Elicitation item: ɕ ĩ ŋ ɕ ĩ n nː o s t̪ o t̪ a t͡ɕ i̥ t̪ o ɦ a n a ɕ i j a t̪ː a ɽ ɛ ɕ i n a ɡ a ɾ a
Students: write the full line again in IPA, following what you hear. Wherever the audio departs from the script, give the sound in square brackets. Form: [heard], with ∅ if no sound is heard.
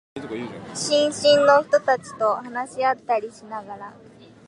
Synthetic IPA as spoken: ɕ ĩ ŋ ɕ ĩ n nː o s t̪ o t̪ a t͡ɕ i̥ t̪ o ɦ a n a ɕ i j a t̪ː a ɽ [i] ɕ i n a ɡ a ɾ a

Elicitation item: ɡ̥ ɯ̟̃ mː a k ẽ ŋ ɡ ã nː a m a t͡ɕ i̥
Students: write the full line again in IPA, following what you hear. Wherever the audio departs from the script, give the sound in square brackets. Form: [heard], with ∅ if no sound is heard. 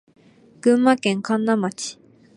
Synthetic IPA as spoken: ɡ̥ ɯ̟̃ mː a k ẽ ŋ [k] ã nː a m a t͡ɕ i̥

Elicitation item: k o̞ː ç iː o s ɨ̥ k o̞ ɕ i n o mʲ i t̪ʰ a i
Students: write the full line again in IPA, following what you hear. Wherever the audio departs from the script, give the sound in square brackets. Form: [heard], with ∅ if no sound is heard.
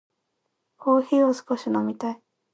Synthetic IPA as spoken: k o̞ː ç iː o s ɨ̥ k o̞ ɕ i n o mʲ i [t̪] a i

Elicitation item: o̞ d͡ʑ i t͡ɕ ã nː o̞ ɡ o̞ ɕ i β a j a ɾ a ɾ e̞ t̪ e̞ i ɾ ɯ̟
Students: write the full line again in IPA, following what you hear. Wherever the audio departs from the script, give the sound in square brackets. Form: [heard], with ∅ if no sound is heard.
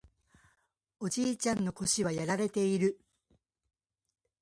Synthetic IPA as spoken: o̞ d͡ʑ [iː] t͡ɕ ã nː o̞ [k] o̞ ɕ i β a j a ɾ a ɾ e̞ t̪ e̞ i ɾ ɯ̟

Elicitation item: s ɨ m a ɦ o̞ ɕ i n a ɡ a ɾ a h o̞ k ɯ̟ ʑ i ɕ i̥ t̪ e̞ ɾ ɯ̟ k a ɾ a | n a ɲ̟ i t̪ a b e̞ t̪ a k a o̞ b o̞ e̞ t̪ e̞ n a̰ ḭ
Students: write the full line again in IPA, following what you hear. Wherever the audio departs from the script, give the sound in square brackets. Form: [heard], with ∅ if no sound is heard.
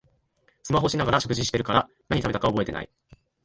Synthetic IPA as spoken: s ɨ m a ɦ o̞ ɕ i n a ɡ a ɾ a [ɕ] o̞ k ɯ̟ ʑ i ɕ i̥ t̪ e̞ ɾ ɯ̟ k a ɾ a | n a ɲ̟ i t̪ a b e̞ t̪ a k a o̞ b o̞ e̞ t̪ e̞ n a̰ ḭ

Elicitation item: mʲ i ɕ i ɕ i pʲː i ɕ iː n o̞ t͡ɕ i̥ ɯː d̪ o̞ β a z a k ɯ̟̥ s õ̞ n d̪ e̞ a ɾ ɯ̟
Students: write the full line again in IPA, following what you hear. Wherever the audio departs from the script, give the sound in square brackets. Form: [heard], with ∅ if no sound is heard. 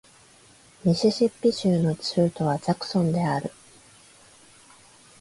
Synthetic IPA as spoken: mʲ i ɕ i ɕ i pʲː i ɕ [ɨː] n o̞ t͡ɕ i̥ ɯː [t̪] o̞ β a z a k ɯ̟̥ s õ̞ n d̪ e̞ a ɾ ɯ̟

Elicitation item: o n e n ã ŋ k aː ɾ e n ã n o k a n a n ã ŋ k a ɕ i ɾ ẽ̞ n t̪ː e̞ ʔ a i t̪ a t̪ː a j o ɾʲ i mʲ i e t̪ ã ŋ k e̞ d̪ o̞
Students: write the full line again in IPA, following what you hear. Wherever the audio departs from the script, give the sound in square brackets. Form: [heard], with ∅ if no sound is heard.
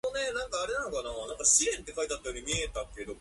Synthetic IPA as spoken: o n e n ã ŋ k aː ɾ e n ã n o k a n a n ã ŋ k a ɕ i ɾ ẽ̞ n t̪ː e̞ [k] a i t̪ a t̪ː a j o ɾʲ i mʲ i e t̪ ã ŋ k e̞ d̪ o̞

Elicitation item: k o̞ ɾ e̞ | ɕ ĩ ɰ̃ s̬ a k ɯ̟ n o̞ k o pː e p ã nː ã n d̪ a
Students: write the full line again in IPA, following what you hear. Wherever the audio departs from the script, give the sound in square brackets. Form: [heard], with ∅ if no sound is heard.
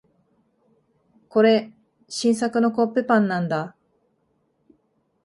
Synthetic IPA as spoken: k o̞ ɾ e̞ | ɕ ĩ ɰ̃ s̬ a k ɯ̟ n o̞ k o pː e p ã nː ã n d̪ a

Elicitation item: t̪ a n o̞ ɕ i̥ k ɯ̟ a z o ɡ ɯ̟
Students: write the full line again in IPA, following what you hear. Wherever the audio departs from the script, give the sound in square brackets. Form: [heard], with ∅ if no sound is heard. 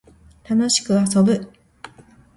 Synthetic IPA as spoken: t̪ a n o̞ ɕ i̥ k ɯ̟ a [s] o [b] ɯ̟

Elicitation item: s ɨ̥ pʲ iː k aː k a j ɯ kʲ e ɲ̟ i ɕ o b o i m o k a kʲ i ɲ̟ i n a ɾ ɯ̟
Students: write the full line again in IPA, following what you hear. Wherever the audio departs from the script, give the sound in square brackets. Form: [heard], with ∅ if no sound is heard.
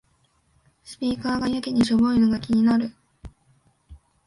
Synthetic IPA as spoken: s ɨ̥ pʲ iː k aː [ɡ] a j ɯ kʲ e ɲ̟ i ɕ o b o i [n] o [ɡ] a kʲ i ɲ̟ i n a ɾ ɯ̟

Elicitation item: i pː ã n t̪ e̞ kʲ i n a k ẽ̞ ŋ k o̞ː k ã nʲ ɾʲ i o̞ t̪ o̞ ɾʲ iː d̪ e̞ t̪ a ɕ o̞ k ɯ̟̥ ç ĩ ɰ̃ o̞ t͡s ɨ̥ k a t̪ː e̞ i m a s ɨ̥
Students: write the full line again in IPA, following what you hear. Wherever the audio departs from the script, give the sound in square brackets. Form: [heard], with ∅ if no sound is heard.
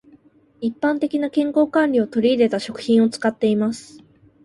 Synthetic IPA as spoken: i pː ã n t̪ e̞ kʲ i n a k ẽ̞ ŋ k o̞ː k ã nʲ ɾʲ i o̞ t̪ o̞ ɾʲ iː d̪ e̞ t̪ a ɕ o̞ k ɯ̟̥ ç ĩ ɰ̃ o̞ t͡s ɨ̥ k a t̪ː e̞ i m a s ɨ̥

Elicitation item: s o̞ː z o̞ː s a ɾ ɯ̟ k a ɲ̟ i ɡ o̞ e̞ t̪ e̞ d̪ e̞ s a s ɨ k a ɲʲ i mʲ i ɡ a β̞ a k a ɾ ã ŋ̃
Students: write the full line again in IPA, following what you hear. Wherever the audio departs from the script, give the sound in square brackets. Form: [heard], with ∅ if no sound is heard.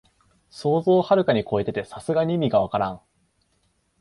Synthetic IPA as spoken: s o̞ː z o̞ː [h] a ɾ ɯ̟ k a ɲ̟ i [k] o̞ e̞ t̪ e̞ [t̪] e̞ s a s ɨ [ɡ] a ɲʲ i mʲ i ɡ a β̞ a k a ɾ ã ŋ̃

